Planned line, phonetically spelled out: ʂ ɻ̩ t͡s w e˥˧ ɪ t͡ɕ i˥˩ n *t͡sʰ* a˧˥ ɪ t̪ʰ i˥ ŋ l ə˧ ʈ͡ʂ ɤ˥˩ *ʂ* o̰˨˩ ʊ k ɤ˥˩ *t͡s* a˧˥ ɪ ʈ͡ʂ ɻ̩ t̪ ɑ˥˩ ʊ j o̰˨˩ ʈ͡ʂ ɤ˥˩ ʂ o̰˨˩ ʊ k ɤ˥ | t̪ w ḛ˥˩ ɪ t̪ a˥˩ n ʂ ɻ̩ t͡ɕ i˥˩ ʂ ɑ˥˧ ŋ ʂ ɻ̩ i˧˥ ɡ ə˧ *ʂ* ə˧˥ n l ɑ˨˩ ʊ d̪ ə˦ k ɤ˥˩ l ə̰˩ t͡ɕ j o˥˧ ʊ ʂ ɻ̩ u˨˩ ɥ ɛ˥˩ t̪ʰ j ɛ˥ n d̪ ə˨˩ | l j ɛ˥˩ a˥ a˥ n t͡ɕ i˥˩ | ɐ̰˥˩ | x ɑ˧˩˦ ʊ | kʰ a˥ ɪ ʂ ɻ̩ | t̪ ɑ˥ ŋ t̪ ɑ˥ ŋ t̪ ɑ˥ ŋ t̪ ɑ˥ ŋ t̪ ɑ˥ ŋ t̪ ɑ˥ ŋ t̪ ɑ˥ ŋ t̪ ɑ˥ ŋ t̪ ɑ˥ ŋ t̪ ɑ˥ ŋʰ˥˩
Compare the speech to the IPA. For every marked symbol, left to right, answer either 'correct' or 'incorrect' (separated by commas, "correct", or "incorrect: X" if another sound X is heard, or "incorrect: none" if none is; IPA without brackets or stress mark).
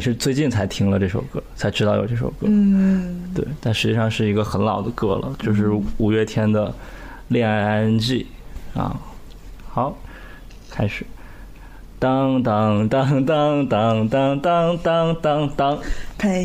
correct, correct, incorrect: t͡sʰ, incorrect: x